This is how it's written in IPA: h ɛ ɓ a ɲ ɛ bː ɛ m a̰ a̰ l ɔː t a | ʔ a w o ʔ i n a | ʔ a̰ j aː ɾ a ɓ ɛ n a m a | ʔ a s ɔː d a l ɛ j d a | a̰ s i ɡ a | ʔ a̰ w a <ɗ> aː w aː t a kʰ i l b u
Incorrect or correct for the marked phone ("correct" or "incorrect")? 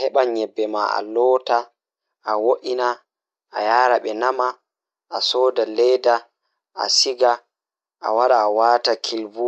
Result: correct